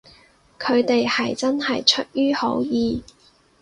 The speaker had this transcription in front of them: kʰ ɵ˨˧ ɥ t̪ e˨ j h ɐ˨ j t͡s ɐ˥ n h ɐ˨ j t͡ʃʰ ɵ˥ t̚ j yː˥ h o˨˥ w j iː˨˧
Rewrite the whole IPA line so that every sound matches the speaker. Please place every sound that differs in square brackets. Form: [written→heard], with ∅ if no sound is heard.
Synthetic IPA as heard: kʰ ɵ˨˧ ɥ t̪ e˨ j h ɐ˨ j t͡s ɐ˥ n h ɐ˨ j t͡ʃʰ ɵ˥ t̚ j yː˥ h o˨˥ w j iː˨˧